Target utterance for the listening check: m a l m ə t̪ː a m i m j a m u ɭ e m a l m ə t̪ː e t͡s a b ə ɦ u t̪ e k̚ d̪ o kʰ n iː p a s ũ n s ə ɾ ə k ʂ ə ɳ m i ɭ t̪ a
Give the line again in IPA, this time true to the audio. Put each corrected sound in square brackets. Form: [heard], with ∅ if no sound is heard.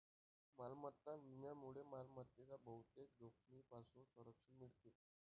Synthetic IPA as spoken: m a l m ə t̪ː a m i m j a m u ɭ e m a l m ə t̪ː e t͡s a b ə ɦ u t̪ e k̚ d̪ o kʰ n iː p a s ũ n s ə ɾ ə k ʂ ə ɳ m i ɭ t̪ [e]

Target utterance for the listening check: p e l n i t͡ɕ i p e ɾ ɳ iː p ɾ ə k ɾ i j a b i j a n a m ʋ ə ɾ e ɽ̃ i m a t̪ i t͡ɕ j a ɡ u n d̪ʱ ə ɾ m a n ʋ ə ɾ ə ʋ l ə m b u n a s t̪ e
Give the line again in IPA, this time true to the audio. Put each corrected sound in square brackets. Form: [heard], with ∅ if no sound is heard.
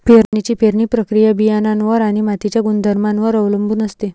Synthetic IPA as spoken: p e [ɾ] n i t͡ɕ i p e ɾ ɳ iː p ɾ ə k ɾ i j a b i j a n a [n] ʋ ə ɾ [a] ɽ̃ i m a t̪ i t͡ɕ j a ɡ u n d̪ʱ ə ɾ m a n ʋ ə ɾ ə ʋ l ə m b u n [ə] s t̪ e

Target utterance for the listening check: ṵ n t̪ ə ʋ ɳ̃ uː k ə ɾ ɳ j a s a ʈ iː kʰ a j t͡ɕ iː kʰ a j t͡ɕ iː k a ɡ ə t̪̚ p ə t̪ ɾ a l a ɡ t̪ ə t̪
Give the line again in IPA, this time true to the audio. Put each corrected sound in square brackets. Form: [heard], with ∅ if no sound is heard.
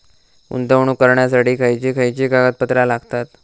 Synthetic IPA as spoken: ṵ n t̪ ə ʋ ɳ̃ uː k ə ɾ ɳ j a s a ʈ iː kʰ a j t͡ɕ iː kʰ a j t͡ɕ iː k a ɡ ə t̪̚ p ə t̪ ɾ a l a ɡ t̪ [a] t̪

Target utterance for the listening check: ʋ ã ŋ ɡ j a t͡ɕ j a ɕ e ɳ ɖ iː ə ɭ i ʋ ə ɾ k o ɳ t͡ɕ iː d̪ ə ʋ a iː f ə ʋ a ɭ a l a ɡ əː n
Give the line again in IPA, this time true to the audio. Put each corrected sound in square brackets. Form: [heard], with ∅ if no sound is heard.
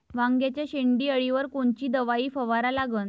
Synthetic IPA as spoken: ʋ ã ŋ ɡ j a t͡ɕ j a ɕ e ɳ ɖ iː ə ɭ i ʋ ə ɾ k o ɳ t͡ɕ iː d̪ ə ʋ a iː f ə ʋ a [ɾ] a l a ɡ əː n

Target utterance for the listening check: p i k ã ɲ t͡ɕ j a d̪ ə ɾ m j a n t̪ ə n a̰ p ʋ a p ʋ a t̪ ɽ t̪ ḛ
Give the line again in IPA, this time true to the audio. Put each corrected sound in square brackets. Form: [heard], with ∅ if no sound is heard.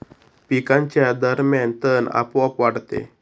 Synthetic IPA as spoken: p i k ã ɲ t͡ɕ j a d̪ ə ɾ m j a n t̪ ə n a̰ p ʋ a p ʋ a [∅] ɽ t̪ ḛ

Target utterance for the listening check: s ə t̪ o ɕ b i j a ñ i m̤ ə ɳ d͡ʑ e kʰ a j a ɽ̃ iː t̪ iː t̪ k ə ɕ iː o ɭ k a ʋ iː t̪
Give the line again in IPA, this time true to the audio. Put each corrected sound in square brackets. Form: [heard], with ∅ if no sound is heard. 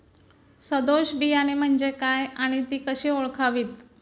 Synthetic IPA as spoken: s ə [d̪] o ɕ b i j a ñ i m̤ ə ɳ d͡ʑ e [k] a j a ɽ̃ [i] t̪ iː [∅] k ə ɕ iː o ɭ [kʰ] a ʋ iː t̪

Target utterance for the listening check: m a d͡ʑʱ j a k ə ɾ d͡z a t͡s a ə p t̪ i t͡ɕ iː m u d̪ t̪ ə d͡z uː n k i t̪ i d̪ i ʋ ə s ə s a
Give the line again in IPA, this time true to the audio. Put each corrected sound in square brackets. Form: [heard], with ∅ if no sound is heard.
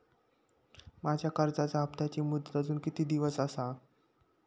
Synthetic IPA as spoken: m a d͡ʑʱ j a k ə ɾ d͡z a t͡s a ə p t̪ [a] t͡ɕ iː m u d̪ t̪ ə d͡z uː n k i t̪ [iː] d̪ i ʋ ə s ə s a

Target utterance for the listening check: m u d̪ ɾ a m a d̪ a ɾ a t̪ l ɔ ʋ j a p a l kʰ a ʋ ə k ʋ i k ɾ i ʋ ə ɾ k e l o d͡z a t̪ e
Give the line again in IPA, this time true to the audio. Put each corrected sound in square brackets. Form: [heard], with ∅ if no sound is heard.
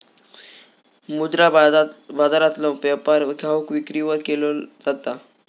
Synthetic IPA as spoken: m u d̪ ɾ a [b] a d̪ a ɾ a t̪ l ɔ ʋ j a p a [ɾ] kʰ a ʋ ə k ʋ i k ɾ i ʋ ə ɾ k e l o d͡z a t̪ [a]

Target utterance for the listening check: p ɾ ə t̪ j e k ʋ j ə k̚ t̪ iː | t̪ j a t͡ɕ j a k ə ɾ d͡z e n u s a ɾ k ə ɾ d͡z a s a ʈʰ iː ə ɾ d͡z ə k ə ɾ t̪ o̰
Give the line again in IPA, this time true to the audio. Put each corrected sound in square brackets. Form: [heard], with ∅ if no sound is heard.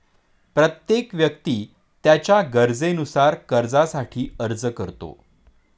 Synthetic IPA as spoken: p ɾ ə t̪ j e k ʋ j ə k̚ t̪ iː | t̪ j a t͡ɕ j a [ɡ] ə ɾ d͡z e n u s a ɾ k ə ɾ d͡z a s a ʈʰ iː ə ɾ d͡z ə k ə ɾ t̪ o̰

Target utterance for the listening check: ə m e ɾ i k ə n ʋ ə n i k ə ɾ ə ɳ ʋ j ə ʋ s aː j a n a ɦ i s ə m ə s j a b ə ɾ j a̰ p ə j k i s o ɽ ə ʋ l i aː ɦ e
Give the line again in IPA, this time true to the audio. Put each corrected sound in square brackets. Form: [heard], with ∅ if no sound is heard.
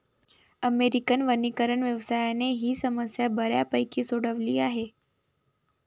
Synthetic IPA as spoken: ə m e ɾ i k ə n ʋ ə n i k ə ɾ ə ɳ ʋ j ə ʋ s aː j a n [e] ɦ i s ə m ə s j a b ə ɾ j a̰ p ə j k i s o ɽ ə ʋ l i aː ɦ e

